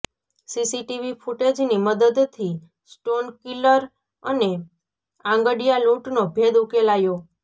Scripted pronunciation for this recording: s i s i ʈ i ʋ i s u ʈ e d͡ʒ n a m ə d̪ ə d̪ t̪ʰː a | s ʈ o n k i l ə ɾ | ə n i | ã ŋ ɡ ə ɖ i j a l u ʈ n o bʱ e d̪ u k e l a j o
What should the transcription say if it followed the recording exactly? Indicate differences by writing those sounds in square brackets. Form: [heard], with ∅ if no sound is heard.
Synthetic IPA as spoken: s i s i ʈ i ʋ i [f] u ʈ e d͡ʒ n [i] m ə d̪ ə d̪ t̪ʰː [i] | s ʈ o n k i l ə ɾ | ə n [e] | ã ŋ ɡ ə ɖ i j a l u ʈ n o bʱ e d̪ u k e l a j o